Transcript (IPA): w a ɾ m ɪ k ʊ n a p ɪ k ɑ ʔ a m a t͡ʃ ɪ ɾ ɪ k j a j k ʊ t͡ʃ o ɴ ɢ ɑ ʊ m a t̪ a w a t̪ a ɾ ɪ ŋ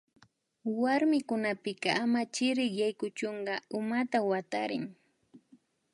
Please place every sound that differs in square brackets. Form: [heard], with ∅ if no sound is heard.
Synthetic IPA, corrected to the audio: w a ɾ m ɪ k ʊ n a p ɪ k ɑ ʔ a m a t͡ʃ ɪ ɾ ɪ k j a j k ʊ t͡ʃ o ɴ ɢ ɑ ʊ m a t̪ a w a t̪ a ɾ ɪ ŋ